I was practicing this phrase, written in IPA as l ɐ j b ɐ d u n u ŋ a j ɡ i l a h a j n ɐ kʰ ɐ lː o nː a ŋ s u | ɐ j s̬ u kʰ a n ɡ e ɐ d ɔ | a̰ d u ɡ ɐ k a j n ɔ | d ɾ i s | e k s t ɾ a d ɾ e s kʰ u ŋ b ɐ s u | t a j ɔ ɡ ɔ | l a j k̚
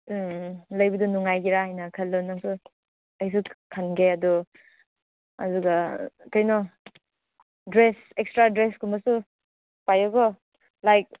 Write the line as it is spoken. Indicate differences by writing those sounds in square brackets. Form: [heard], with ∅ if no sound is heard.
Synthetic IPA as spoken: l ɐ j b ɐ d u n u ŋ a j ɡ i [ɾ] a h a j n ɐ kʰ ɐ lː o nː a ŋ s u | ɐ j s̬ u kʰ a n ɡ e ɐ d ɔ | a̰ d u ɡ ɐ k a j n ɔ | d ɾ [e] s | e k s t ɾ a d ɾ e s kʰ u [m] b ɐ s u | [p] a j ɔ ɡ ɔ | l a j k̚